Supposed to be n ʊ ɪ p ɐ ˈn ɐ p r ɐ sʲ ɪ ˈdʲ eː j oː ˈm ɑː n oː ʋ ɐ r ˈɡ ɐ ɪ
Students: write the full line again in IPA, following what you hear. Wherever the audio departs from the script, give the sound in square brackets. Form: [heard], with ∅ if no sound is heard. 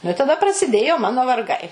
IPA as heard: n ʊ ɪ [t] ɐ [ˈd] ɐ p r ɐ sʲ ɪ ˈdʲ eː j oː ˈm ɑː n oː ʋ ɐ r ˈɡ ɐ ɪ